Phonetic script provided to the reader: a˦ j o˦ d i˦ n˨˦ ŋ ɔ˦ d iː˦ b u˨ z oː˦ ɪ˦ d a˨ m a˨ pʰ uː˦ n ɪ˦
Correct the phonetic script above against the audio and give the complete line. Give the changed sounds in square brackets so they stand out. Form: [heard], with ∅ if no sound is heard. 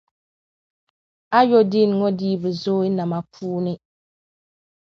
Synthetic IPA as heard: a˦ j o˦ d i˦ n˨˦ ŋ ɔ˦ d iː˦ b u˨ z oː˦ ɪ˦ [n] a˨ m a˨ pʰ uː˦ n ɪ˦